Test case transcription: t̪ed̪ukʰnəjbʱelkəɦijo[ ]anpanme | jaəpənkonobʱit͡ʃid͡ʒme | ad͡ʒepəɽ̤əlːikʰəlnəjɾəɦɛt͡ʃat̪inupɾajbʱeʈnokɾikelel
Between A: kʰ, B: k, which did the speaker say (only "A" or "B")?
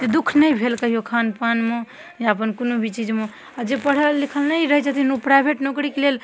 A